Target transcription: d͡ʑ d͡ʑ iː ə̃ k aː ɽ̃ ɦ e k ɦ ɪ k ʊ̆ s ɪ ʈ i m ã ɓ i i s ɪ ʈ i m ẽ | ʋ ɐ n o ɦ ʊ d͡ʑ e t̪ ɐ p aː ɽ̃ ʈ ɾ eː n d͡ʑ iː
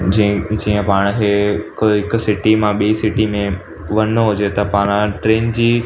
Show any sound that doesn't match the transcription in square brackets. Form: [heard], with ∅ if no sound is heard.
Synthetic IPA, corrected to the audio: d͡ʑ d͡ʑ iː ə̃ [p] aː ɽ̃ ɦ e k ɦ ɪ k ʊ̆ s ɪ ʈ i m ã ɓ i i s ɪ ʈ i m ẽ | ʋ ɐ n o ɦ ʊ d͡ʑ e t̪ ɐ p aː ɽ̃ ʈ ɾ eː n d͡ʑ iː